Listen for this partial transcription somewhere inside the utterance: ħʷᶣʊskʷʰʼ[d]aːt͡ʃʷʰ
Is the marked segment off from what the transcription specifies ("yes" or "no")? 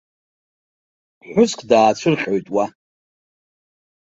no